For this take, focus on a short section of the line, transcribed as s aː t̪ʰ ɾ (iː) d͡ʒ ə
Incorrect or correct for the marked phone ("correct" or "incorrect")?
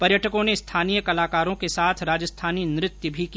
incorrect